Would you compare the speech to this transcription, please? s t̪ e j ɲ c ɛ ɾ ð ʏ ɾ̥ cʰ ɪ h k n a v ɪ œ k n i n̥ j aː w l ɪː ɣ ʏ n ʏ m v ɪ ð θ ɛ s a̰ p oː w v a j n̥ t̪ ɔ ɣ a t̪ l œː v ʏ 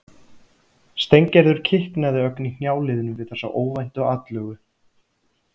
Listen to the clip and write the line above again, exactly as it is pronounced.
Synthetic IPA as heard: s t̪ e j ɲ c ɛ ɾ ð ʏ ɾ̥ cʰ ɪ h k n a ð ɪ œ k n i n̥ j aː w l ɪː ð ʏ n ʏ m v ɪ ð θ ɛ s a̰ ʔ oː w v a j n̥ t̪ ɔ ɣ a t̪ l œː ɣ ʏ